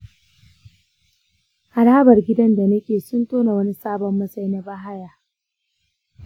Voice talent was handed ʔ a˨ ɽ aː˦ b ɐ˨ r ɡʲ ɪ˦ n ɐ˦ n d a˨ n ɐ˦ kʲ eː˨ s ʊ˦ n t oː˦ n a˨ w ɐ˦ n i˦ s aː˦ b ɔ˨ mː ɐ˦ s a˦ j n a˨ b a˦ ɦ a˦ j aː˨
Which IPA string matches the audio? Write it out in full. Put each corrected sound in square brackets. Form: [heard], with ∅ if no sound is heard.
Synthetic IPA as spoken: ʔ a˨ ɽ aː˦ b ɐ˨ r ɡʲ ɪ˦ [d] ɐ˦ n d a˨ n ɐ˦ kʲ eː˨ s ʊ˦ n t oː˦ n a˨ w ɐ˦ n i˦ s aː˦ b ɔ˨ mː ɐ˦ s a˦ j n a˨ b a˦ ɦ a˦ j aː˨

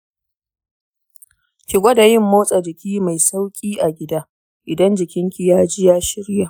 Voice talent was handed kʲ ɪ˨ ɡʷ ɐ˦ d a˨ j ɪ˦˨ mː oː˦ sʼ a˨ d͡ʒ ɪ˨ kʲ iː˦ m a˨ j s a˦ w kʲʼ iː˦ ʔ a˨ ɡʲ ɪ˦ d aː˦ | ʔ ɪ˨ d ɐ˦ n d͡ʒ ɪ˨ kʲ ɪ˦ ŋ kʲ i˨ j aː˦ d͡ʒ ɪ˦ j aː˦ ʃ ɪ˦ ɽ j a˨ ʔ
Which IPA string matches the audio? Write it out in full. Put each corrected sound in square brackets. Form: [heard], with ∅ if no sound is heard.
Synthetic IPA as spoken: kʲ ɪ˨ ɡʷ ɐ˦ d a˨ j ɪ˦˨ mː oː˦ sʼ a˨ d͡ʒ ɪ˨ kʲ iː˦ m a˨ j s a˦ w kʲʼ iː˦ ʔ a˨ ɡʲ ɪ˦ d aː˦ | ʔ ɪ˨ d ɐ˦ n d͡ʒ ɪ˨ kʲ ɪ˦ ŋ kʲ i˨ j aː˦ d͡ʒ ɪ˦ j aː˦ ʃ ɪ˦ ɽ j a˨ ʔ

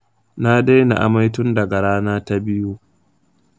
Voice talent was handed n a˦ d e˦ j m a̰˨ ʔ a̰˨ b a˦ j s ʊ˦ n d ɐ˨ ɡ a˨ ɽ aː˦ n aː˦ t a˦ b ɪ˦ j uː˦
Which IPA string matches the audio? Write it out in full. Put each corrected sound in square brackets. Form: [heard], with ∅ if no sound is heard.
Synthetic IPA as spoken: n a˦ d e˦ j [n] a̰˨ ʔ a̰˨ [m] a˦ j [t] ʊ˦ n d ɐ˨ ɡ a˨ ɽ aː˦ n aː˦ t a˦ b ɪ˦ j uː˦

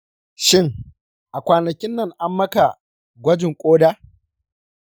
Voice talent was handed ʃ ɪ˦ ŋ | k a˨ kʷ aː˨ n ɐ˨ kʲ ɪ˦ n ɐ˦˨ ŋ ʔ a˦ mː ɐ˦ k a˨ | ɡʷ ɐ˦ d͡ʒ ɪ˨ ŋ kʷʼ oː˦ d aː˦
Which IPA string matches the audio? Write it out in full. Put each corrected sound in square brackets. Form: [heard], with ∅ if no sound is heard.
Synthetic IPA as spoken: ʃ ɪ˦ ŋ | [ʔ] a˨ kʷ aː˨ n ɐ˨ kʲ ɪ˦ [nː] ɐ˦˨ ŋ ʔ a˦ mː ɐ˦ k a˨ | ɡʷ ɐ˦ d͡ʒ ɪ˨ ŋ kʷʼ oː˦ d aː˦

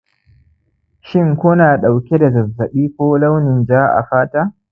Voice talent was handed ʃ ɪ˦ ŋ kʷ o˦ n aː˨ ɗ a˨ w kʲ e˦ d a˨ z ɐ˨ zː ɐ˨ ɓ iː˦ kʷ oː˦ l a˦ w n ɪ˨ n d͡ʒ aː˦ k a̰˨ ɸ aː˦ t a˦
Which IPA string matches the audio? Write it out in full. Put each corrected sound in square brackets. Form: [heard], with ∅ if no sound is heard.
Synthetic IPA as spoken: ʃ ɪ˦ ŋ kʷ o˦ n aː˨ ɗ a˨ w kʲ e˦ d a˨ z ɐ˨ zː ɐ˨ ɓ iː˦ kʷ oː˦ l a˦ w n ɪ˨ n d͡ʒ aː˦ [ʔ] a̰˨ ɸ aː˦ t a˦

